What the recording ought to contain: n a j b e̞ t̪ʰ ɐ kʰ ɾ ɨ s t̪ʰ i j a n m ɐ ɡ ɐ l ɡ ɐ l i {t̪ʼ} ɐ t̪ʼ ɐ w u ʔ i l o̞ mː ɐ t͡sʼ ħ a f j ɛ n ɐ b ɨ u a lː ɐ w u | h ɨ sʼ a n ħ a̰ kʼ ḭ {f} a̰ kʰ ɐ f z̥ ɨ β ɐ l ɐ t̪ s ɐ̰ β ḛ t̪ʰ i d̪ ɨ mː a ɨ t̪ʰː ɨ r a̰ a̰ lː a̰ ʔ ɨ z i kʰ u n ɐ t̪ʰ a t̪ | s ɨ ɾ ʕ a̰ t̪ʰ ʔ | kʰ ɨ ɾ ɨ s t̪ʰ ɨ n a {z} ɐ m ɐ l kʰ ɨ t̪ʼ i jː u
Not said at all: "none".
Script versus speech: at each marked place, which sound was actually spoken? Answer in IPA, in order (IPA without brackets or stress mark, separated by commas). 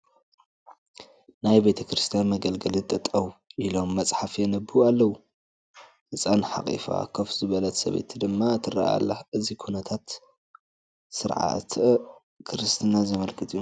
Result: t̪ʼ, f, z